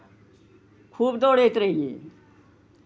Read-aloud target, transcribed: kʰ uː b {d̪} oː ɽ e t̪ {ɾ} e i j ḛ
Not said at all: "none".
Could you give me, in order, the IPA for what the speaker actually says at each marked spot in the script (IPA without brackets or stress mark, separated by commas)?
d̪, ɾ